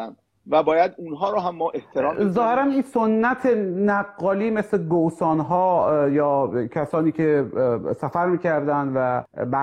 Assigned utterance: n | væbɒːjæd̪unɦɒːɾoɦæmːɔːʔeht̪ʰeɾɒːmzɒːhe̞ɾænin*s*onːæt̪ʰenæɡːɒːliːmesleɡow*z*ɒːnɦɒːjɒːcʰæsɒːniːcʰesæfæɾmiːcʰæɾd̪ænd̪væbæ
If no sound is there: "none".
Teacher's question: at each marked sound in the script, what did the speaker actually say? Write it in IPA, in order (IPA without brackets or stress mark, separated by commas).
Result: s, s